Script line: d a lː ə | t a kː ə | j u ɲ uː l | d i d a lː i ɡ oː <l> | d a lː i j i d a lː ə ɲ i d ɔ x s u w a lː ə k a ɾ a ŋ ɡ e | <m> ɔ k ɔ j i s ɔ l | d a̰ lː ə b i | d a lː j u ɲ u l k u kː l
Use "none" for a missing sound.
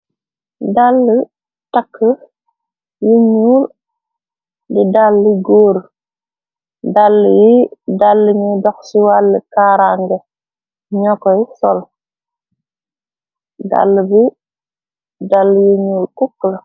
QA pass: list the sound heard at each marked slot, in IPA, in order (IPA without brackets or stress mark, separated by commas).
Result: ɾ, ɲ